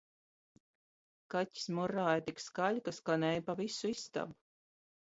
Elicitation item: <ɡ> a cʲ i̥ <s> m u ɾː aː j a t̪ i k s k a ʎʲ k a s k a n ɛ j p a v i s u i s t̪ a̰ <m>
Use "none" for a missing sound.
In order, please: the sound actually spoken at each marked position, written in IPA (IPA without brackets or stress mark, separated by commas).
k, s, b